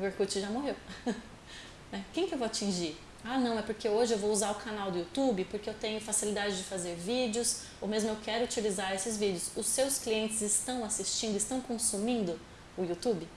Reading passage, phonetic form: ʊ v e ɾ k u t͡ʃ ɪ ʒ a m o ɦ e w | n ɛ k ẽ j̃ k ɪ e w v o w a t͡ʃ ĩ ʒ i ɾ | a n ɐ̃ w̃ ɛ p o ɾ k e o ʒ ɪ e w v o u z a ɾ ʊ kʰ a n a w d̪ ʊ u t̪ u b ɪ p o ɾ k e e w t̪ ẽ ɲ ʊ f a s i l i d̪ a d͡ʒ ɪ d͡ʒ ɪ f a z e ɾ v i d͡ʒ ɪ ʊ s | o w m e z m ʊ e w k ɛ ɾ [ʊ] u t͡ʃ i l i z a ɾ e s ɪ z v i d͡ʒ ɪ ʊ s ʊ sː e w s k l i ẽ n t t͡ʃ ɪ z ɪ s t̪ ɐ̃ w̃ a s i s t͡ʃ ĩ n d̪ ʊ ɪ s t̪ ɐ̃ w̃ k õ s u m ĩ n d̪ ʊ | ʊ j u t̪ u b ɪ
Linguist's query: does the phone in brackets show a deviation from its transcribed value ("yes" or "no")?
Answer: no